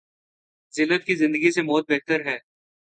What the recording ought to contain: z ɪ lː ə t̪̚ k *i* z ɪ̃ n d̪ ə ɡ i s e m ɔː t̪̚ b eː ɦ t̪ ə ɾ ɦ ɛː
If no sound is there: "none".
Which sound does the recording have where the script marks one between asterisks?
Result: i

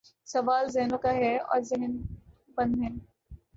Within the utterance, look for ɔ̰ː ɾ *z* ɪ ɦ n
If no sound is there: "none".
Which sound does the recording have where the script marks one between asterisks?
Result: z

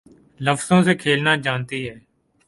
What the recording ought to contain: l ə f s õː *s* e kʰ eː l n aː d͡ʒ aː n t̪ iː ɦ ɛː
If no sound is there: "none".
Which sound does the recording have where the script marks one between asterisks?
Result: s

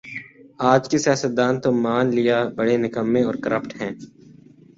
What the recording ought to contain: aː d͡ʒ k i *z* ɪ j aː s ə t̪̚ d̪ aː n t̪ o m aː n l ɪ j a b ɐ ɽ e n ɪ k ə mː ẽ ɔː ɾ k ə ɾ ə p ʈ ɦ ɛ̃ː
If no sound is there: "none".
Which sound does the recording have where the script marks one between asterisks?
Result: s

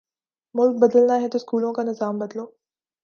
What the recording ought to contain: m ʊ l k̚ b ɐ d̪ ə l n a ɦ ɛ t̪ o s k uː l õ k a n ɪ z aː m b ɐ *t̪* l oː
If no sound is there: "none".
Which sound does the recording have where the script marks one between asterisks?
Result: d̪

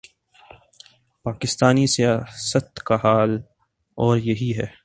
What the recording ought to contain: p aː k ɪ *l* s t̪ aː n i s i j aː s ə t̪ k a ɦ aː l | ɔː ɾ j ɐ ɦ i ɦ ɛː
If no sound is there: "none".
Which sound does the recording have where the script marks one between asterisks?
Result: none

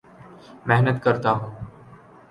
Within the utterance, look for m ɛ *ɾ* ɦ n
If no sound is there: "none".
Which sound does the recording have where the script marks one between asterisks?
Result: none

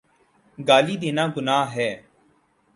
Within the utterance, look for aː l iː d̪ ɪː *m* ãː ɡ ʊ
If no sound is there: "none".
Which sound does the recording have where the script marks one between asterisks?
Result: n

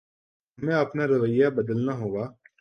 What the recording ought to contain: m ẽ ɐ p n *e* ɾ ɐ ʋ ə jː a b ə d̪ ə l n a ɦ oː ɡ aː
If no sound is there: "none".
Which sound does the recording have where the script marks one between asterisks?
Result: a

